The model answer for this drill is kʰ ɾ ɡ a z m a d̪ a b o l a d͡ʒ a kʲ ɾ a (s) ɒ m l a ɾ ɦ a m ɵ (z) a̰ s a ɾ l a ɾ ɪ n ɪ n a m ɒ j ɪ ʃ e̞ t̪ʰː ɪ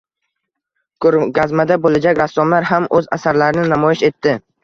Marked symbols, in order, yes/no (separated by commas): no, yes